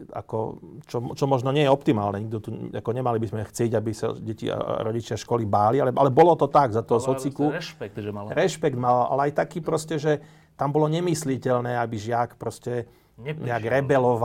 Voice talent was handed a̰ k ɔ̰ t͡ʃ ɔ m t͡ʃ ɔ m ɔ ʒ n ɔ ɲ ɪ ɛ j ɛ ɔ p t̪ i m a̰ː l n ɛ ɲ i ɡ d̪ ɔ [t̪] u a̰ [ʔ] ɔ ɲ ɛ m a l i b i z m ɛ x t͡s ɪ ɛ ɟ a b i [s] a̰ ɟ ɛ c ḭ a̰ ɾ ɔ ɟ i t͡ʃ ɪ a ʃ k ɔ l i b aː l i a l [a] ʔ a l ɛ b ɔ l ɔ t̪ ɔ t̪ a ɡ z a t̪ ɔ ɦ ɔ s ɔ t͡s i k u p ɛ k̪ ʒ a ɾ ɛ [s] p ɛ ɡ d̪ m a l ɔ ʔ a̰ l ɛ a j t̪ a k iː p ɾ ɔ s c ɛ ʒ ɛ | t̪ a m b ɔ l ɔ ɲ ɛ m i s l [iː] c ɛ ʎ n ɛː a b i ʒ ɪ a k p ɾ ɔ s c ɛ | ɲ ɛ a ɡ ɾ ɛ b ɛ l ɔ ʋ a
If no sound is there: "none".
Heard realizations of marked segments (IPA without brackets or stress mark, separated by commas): t̪, k, s, ɛ, ʃ, i